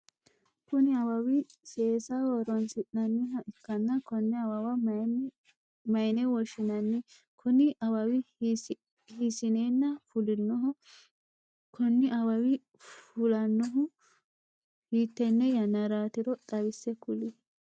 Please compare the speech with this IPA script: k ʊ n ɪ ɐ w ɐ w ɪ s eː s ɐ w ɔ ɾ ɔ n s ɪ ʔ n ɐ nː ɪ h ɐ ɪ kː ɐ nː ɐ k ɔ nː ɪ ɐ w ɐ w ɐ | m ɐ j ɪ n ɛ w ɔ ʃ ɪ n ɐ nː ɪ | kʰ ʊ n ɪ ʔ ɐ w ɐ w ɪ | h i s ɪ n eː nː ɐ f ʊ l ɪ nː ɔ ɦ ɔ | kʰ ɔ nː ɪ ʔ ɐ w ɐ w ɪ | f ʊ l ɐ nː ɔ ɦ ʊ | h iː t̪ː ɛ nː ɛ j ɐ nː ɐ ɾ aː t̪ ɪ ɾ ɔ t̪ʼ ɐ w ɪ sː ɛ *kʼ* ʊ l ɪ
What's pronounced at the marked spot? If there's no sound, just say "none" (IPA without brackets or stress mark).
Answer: k